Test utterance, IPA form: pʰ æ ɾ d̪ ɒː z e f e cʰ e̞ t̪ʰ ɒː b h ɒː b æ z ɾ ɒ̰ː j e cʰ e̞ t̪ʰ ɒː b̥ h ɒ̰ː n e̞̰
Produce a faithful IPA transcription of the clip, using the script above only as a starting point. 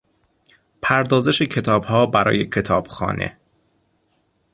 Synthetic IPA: pʰ æ ɾ d̪ ɒː z e ʃ e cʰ e̞ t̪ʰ ɒː b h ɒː b æ ɾ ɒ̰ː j e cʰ e̞ t̪ʰ ɒː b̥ x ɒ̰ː n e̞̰

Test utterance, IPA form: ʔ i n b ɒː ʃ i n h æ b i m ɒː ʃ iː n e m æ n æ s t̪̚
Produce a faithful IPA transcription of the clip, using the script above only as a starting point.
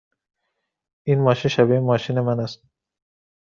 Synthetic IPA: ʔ i n m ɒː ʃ i n ʃ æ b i m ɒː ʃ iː n e m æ n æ s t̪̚

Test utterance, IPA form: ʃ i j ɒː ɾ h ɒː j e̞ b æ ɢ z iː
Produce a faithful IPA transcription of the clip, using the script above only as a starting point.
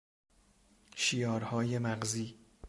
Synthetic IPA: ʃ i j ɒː ɾ h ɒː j e̞ m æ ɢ z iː

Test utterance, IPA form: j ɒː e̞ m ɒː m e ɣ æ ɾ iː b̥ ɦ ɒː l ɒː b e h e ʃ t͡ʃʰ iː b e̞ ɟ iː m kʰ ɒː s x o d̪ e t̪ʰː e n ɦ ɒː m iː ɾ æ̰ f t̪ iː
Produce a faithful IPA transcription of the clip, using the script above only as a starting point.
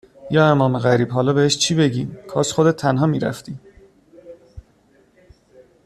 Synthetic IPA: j ɒː e̞ m ɒː m e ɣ æ ɾ iː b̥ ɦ ɒː l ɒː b e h e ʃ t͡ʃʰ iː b e̞ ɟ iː m kʰ ɒː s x o d̪ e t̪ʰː æ n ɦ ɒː m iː ɾ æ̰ f t̪ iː

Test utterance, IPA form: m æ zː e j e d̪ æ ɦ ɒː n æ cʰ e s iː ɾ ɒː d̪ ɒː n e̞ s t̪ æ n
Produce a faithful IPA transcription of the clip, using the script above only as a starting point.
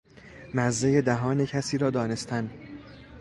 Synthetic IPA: m æ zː e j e d̪ æ ɦ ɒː n e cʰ æ s iː ɾ ɒː d̪ ɒː n e̞ s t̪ æ n

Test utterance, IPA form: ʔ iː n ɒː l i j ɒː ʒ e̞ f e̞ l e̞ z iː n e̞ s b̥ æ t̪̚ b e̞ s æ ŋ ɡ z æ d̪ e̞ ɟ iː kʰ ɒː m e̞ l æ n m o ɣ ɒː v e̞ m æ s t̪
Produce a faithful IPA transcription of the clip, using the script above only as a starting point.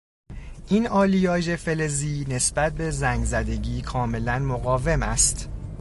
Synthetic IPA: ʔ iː n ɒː l i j ɒː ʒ e̞ f e̞ l e̞ z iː n e̞ s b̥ æ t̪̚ b e̞ z æ ŋ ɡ z æ d̪ e̞ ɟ iː kʰ ɒː m e̞ l æ n m o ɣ ɒː v e̞ m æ s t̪

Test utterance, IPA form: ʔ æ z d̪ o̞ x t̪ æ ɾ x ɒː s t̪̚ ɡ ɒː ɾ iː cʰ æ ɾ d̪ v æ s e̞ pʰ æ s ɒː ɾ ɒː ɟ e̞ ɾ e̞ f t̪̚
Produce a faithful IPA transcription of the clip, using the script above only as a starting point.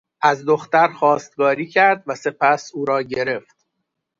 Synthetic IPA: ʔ æ z d̪ o̞ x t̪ æ ɾ x ɒː s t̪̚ ɡ ɒː ɾ iː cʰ æ ɾ d̪ v æ s e̞ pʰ æ s uː ɾ ɒː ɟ e̞ ɾ e̞ f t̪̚

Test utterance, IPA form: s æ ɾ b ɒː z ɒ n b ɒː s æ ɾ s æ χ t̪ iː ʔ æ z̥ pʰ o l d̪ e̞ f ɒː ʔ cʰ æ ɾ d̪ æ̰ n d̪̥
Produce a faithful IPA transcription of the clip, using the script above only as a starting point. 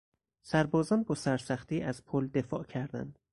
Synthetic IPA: s æ ɾ b ɒː z ɒ n b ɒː s æ ɾ s æ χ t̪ iː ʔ æ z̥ pʰ o l d̪ e̞ f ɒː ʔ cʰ æ ɾ d̪ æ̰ n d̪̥

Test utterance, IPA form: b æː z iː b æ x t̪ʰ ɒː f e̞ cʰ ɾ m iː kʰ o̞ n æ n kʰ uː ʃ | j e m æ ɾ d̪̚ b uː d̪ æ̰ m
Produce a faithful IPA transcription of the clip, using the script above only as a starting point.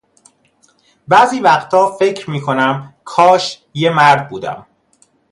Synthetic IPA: b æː z iː v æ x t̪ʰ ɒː f e̞ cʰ ɾ m iː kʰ o̞ n æ m kʰ ɒː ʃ | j e m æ ɾ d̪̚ b uː d̪ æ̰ m

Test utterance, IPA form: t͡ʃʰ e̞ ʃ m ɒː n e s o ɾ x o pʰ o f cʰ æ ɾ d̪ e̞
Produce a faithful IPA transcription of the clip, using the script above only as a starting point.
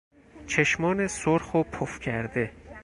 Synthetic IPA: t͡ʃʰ e̞ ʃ m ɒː n e s o ɾ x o pʰ o f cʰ æ ɾ d̪ e̞

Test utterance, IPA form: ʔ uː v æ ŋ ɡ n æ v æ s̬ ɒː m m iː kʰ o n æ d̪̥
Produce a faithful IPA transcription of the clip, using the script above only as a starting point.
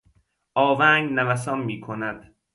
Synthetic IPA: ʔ ɒː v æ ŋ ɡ n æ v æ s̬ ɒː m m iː kʰ o n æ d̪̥

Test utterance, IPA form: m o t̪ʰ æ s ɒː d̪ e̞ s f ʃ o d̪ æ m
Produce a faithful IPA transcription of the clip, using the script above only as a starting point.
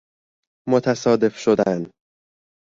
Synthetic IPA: m o t̪ʰ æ s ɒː d̪ e̞ f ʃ o d̪ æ n

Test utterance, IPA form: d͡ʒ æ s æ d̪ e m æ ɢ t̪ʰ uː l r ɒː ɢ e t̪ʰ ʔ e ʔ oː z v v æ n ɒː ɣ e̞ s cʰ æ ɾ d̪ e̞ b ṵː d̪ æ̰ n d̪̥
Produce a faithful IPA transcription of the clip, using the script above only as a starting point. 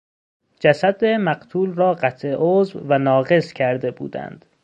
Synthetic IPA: d͡ʒ æ s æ d̪ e m æ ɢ t̪ʰ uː l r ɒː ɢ æ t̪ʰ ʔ e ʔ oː z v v æ n ɒː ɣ e̞ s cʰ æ ɾ d̪ e̞ b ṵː d̪ æ̰ n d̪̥

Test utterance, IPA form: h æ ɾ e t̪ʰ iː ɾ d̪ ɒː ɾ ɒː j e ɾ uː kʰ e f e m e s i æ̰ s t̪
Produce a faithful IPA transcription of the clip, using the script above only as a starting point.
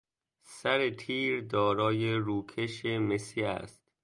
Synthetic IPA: s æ ɾ e t̪ʰ iː ɾ d̪ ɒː ɾ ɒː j e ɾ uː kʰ e ʃ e m e s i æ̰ s t̪

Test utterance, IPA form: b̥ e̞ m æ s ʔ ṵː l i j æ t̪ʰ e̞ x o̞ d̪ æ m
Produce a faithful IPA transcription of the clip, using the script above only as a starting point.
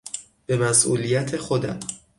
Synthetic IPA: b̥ e̞ m æ s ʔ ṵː l i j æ t̪ʰ e̞ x o̞ d̪ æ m

